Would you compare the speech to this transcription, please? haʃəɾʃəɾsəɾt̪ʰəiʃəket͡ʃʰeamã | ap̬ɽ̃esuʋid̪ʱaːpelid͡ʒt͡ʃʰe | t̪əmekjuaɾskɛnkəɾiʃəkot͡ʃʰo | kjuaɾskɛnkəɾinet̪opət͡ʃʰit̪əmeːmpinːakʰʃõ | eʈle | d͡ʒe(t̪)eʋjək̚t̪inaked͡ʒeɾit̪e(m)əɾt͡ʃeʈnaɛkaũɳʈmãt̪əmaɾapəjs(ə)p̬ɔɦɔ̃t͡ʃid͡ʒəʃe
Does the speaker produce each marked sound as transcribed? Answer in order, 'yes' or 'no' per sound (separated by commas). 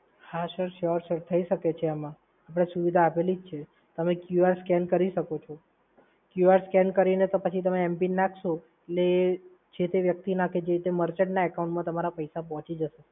yes, yes, no